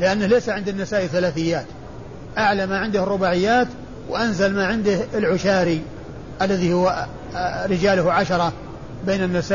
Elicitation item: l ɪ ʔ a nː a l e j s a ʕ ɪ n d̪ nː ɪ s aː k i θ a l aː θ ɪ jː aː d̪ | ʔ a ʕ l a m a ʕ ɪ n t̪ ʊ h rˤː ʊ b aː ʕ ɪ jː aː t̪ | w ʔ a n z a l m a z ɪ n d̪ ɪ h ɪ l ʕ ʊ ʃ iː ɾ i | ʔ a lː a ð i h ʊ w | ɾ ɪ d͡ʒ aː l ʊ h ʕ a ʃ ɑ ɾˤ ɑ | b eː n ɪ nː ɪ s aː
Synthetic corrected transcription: l ɪ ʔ a nː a l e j s a ʕ ɪ n d̪ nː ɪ s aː ʔ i θ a l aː θ ɪ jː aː t̪ | ʔ a ʕ l a m a ʕ ɪ n d̪ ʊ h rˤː ʊ b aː ʕ ɪ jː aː t̪ | w ʔ a n z a l m a ʕ ɪ n d̪ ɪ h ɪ l ʕ ʊ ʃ aː ɾ i | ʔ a lː a ð i h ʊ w | ɾ ɪ d͡ʒ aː l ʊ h ʕ a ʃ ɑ ɾˤ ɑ | b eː n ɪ nː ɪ s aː